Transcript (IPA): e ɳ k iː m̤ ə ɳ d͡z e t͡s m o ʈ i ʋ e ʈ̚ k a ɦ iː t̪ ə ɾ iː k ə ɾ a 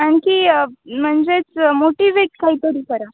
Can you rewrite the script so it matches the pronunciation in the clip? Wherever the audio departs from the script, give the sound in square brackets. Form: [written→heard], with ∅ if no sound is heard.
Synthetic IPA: [e→a] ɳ k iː m̤ ə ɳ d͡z e t͡s m o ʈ i ʋ e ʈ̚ k a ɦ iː t̪ ə ɾ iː k ə ɾ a